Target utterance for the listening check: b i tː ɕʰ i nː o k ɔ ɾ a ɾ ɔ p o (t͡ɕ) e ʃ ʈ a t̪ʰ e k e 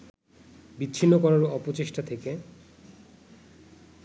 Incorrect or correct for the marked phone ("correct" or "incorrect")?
correct